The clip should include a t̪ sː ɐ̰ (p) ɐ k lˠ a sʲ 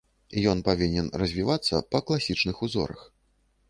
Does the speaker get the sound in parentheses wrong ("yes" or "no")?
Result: no